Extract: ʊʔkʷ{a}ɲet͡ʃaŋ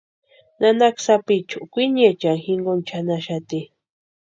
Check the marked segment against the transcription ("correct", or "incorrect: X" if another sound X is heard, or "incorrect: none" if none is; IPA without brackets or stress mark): incorrect: i